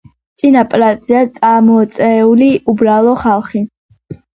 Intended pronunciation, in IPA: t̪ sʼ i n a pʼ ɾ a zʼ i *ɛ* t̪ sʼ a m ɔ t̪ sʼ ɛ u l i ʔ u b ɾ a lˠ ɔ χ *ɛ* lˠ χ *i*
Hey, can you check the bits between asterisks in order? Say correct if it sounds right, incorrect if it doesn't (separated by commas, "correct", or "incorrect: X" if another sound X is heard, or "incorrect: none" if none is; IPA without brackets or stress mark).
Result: incorrect: a, incorrect: a, correct